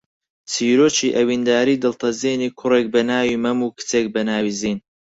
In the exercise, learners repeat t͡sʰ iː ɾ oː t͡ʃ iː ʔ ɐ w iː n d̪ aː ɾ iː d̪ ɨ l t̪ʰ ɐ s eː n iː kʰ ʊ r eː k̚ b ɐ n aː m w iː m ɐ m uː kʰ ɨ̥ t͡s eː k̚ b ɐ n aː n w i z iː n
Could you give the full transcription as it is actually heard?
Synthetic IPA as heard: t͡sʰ iː ɾ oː t͡ʃ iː ʔ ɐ w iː n d̪ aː ɾ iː d̪ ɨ l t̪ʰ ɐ z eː n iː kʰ ʊ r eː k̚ b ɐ n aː w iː m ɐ m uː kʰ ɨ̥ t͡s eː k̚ b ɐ n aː w i z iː n